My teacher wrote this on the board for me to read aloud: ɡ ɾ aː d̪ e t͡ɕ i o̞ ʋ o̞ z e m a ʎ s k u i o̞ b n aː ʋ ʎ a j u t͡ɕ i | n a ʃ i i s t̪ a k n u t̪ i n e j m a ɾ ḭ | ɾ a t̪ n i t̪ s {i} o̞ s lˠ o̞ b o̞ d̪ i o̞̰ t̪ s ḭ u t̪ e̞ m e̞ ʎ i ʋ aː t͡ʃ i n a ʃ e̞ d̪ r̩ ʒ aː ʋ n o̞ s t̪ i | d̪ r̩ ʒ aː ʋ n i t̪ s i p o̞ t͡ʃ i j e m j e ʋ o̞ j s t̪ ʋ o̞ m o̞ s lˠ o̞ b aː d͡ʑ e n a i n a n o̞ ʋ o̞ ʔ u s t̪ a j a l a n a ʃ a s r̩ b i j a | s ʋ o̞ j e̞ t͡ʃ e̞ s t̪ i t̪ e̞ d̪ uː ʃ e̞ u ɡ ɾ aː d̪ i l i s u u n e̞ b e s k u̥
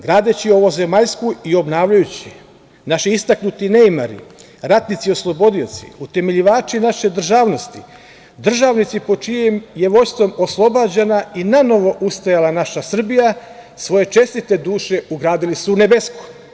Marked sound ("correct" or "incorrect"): correct